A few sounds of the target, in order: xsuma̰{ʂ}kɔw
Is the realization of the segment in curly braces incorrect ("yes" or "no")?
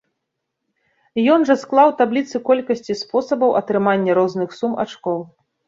yes